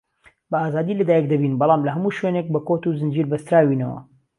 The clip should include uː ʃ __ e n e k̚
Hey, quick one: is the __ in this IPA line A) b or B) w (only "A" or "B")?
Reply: B